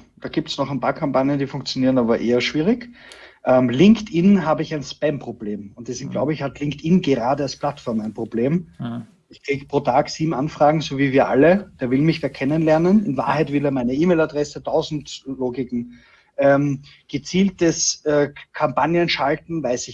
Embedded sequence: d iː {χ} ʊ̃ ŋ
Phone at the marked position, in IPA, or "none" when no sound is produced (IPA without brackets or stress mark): f